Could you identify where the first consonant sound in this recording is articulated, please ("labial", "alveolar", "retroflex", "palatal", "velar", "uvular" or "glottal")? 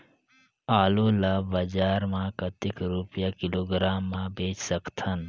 alveolar